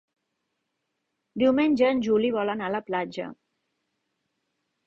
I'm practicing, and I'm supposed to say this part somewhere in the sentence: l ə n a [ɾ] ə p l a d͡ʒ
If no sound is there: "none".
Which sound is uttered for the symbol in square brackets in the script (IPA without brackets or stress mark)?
l